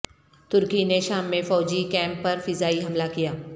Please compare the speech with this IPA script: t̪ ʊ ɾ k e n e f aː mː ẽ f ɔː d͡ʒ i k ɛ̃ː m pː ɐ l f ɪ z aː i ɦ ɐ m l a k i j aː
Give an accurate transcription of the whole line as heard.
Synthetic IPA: t̪ ʊ ɾ k i n e ʃ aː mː ẽ f ɔː d͡ʒ i k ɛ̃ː m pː ɐ ɾ f ɪ z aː i ɦ ɐ m l a k i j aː